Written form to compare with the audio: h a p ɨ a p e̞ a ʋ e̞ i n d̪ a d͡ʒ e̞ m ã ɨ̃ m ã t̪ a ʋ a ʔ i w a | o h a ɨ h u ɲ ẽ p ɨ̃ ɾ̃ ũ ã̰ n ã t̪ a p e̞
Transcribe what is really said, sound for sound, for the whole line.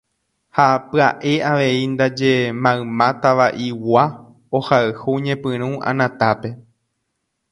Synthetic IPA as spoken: h a p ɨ a ʔ e̞ a ʋ e̞ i n d̪ a d͡ʒ e̞ m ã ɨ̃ m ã t̪ a ʋ a ʔ i w a | o h a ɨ h u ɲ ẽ p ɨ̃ ɾ̃ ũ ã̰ n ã t̪ a p e̞